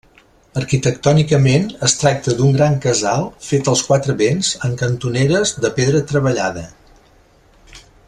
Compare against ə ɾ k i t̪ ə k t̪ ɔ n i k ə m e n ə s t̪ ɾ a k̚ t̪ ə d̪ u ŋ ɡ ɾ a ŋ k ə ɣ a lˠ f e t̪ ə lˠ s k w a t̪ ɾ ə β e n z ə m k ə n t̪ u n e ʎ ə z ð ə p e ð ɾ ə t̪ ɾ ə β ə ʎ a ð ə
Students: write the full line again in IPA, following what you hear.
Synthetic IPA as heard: ə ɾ k i t̪ ə k t̪ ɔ n i k ə m e n ə s t̪ ɾ a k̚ t̪ ə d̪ u ŋ ɡ ɾ a ŋ k ə z a lˠ f e t̪ ə lˠ s k w a t̪ ɾ ə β e n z ə ŋ k ə n t̪ u n e ɾ ə z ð ə p e ð ɾ ə t̪ ɾ ə β ə ʎ a ð ə